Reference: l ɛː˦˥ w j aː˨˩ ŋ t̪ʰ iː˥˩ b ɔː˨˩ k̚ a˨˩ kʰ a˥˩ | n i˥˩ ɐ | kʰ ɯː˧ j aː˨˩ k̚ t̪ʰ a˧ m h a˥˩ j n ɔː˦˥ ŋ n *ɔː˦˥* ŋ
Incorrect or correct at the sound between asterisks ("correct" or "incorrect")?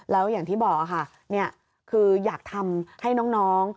correct